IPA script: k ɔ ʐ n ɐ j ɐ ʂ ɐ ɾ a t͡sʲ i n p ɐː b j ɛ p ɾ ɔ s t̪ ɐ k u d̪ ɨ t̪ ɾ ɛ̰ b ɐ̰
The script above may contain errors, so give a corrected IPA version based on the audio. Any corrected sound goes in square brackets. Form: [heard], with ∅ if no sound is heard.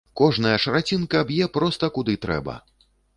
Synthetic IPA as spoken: k ɔ ʐ n ɐ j ɐ ʂ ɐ ɾ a t͡sʲ i n [k] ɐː b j ɛ p ɾ ɔ s t̪ ɐ k u d̪ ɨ t̪ ɾ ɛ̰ b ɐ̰